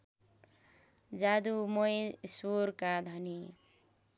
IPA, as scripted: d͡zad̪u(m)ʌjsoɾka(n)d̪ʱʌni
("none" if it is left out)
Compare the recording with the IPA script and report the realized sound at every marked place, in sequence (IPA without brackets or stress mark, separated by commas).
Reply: m, none